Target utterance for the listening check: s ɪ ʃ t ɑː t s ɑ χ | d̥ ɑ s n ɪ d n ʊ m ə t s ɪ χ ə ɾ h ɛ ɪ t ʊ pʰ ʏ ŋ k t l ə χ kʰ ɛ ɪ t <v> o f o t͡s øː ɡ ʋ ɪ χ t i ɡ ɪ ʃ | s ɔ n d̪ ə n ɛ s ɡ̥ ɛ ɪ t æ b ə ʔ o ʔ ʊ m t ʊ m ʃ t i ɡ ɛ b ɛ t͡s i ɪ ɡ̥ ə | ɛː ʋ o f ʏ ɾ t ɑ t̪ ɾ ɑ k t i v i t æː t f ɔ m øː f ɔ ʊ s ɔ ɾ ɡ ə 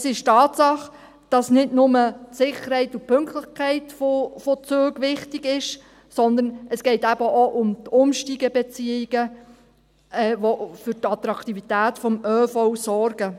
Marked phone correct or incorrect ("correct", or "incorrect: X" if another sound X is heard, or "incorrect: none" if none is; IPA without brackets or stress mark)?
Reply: incorrect: f